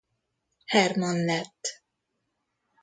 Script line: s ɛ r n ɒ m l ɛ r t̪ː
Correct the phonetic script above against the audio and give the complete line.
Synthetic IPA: h ɛ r m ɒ n l ɛ t̪ː